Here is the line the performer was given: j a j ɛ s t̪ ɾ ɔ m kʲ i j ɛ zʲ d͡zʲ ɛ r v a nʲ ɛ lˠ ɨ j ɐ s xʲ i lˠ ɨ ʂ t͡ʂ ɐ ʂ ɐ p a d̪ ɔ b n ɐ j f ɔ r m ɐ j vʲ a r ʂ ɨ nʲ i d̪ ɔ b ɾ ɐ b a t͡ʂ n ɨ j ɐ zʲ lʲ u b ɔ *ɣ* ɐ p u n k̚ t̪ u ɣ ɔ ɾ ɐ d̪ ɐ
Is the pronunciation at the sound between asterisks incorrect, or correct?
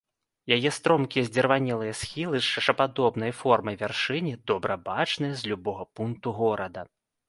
correct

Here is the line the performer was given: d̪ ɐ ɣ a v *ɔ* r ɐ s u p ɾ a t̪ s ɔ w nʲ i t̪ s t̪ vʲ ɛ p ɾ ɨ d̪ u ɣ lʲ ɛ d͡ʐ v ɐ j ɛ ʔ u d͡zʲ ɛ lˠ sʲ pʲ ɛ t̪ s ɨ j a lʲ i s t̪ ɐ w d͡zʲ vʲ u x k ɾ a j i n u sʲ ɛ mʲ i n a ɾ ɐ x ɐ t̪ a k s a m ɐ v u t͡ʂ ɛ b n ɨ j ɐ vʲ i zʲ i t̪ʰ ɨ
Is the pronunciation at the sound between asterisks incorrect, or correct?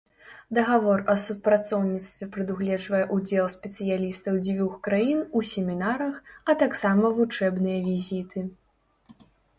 correct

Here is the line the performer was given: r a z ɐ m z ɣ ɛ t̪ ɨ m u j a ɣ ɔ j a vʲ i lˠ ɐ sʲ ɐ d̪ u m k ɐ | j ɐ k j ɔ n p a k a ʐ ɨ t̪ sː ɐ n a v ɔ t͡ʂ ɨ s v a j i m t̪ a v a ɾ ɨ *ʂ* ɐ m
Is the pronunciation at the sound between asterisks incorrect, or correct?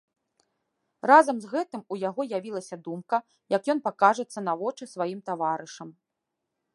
correct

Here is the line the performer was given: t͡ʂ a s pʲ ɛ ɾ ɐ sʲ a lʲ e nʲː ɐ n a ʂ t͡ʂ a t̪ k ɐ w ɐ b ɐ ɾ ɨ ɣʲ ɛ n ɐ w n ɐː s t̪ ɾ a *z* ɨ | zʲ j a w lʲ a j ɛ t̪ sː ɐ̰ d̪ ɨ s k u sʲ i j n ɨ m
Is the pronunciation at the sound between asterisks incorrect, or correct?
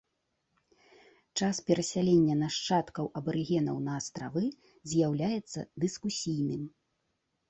incorrect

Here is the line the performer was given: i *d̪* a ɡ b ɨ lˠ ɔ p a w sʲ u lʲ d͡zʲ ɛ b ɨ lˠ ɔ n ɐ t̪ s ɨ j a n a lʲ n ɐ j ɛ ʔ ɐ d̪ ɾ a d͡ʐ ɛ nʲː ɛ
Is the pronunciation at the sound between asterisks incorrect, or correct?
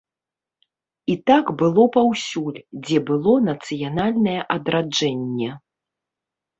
incorrect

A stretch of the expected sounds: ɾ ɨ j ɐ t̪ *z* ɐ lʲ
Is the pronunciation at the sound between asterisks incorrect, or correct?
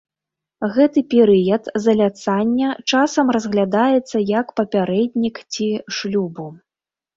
correct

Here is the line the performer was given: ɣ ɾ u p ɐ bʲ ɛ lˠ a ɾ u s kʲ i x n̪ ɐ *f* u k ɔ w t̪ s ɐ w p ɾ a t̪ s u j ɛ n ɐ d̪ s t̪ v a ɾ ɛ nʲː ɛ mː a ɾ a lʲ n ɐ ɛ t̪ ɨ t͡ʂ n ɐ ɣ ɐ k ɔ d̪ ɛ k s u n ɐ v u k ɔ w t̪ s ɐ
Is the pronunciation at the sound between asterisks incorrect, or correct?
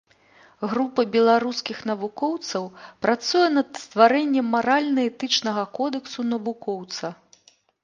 incorrect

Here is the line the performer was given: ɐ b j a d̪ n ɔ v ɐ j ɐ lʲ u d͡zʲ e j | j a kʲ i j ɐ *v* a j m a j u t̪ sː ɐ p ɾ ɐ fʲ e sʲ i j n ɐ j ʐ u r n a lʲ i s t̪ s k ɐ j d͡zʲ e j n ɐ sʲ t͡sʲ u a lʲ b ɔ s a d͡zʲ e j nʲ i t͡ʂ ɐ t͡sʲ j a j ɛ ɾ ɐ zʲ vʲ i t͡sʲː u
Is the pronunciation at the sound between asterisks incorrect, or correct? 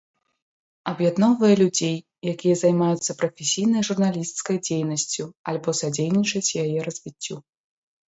incorrect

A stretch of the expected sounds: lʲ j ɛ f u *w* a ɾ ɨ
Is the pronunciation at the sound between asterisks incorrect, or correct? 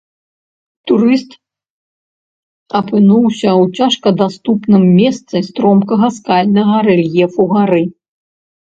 incorrect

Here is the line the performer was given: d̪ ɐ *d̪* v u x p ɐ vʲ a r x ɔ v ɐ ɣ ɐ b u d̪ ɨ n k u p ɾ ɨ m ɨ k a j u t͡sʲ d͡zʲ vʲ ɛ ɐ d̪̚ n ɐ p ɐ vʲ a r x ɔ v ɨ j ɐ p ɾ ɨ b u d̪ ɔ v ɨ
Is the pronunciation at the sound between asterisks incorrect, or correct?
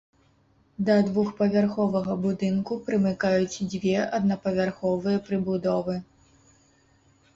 correct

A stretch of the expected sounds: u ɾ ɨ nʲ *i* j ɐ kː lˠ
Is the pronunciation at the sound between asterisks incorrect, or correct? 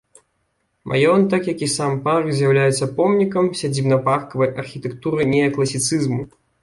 incorrect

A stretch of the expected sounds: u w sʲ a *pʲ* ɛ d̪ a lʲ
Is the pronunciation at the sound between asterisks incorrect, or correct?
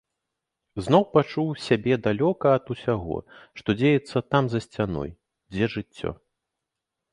incorrect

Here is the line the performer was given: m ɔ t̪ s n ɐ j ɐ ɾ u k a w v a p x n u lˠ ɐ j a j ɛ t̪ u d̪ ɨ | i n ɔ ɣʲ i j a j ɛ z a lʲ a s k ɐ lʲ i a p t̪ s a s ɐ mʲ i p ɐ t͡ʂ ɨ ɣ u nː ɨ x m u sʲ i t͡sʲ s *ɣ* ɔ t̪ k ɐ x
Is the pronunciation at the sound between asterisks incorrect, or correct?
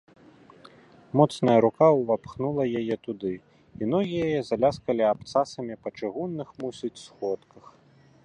incorrect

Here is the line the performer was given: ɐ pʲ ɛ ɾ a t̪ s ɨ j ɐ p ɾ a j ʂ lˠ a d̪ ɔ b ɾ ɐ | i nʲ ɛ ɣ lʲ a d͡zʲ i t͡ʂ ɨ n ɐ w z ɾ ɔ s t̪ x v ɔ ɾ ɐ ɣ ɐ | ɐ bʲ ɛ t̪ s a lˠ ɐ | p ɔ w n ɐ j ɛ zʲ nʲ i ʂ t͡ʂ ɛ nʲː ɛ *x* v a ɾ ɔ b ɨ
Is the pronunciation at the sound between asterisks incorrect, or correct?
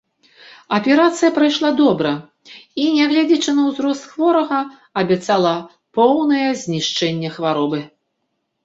correct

